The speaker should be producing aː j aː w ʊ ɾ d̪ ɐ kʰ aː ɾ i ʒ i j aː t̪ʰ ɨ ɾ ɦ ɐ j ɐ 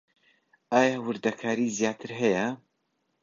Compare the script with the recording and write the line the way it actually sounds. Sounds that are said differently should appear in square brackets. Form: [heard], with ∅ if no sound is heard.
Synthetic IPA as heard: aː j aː w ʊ ɾ d̪ ɐ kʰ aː ɾ i [z] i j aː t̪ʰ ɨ ɾ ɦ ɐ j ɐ